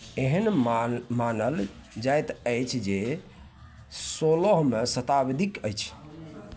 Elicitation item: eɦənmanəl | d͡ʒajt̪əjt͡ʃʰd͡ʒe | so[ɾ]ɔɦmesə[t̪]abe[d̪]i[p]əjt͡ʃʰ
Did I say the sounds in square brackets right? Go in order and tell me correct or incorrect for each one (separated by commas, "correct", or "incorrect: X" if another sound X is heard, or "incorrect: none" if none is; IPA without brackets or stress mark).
incorrect: l, correct, correct, incorrect: k